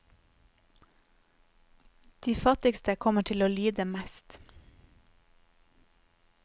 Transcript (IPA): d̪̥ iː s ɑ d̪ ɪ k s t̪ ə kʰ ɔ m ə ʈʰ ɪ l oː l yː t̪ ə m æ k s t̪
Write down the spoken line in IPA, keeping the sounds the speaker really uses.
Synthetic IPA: d̪̥ iː f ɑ t̪ ɪ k s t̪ ə kʰ ɔ m ə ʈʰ ɪ l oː l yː d̪ ə m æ s t̪